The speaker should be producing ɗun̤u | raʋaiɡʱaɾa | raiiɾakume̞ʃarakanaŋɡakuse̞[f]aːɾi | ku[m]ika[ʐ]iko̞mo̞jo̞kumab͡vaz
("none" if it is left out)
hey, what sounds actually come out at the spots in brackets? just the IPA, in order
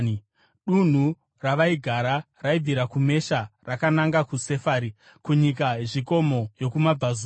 f, ɲ, ʐ

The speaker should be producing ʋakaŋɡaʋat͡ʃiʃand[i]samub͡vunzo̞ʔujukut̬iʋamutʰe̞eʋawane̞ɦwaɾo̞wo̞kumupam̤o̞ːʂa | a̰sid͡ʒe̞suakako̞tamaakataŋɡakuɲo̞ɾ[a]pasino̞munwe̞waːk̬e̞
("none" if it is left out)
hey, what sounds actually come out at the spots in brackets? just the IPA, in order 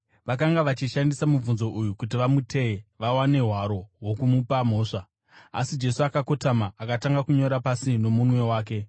i, a

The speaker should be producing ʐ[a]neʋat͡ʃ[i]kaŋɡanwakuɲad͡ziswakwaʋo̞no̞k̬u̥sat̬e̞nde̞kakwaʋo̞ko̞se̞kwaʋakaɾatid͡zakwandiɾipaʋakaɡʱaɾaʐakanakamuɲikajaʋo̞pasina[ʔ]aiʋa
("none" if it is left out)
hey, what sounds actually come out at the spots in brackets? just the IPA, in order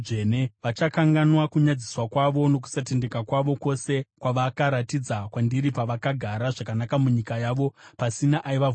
e, a, ʔ

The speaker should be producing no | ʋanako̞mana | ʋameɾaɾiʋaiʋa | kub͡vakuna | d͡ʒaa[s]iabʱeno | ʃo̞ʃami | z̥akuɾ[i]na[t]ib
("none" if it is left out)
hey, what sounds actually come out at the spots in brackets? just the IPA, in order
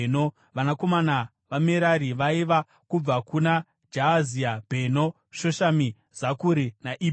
z, i, ʔ

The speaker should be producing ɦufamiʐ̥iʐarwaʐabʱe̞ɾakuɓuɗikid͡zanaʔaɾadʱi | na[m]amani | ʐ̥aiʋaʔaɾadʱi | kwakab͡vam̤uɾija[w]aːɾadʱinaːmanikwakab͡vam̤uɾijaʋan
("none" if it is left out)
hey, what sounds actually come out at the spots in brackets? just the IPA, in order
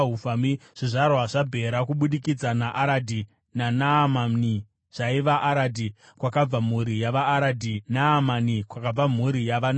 n, ʋ

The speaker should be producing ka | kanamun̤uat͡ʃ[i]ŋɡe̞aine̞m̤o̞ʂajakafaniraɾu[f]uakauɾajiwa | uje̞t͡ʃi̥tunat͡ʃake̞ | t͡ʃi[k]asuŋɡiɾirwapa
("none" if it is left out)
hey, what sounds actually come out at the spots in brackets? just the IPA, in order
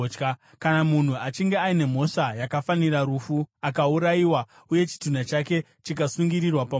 i, f, k

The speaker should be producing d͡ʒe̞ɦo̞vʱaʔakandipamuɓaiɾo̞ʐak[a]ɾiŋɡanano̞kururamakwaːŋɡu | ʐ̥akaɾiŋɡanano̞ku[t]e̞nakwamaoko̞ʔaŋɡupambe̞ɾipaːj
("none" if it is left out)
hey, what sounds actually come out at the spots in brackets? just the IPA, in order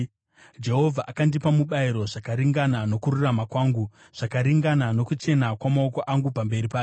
a, t͡ʃ

